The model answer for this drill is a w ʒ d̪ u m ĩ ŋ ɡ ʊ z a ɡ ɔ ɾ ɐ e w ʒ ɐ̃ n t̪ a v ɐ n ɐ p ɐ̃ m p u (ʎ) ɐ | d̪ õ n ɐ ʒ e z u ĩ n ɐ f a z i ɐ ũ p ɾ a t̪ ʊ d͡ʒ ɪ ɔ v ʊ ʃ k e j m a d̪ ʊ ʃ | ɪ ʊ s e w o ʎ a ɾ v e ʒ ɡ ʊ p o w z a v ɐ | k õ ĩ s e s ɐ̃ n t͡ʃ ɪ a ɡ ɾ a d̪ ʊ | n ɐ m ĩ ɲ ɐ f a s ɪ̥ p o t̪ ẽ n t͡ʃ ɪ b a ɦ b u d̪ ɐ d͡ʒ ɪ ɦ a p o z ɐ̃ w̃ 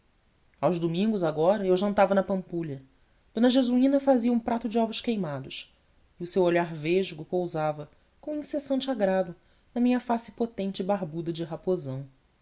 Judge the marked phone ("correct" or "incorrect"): correct